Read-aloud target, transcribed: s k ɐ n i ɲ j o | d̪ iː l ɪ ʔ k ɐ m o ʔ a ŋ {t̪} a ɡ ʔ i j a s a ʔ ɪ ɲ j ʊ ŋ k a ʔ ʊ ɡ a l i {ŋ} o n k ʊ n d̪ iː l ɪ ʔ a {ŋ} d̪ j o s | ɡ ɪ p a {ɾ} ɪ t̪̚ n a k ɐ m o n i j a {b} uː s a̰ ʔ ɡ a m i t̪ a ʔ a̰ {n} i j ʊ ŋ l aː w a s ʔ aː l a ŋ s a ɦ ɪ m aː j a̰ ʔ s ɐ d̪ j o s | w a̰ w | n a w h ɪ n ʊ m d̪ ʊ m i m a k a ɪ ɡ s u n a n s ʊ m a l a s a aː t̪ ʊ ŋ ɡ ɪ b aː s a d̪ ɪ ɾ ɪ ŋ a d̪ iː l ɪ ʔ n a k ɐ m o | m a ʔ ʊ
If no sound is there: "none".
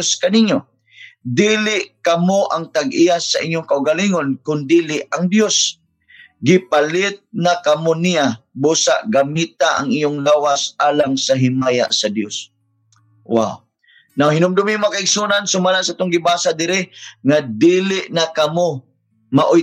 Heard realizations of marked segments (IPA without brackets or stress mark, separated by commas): t̪, ŋ, ŋ, l, b, ŋ